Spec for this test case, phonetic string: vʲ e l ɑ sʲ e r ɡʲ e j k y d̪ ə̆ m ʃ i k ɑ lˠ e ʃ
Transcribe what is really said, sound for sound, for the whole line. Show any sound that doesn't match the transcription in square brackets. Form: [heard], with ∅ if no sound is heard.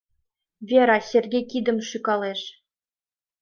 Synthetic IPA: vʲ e [ɾ] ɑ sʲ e r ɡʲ e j k [i] d̪ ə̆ m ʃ [y] k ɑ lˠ e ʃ